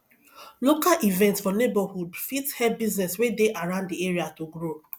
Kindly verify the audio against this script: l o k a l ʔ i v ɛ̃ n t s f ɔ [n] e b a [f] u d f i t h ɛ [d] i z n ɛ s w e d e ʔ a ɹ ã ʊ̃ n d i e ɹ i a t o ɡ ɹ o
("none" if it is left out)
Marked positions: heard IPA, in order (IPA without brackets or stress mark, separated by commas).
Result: n, h, b